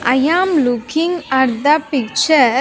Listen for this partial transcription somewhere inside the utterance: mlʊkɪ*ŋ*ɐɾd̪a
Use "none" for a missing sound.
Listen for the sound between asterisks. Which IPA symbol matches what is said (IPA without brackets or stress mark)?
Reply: ŋ